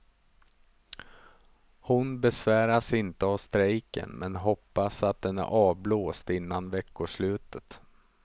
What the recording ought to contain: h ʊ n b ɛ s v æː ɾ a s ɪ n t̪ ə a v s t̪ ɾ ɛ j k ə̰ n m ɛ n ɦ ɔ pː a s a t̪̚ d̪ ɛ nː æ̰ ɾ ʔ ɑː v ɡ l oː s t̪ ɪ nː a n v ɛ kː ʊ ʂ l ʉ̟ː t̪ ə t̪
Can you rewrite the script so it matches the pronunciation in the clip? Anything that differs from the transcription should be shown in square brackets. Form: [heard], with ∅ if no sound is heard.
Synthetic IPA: h ʊ n b ɛ s v æː ɾ a s ɪ n t̪ ə a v s t̪ ɾ ɛ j k ə̰ n m ɛ n ɦ ɔ pː a s a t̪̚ d̪ ɛ [n] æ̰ ɾ ʔ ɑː v [b] l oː s t̪ ɪ nː a n v ɛ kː ʊ ʂ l ʉ̟ː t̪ ə t̪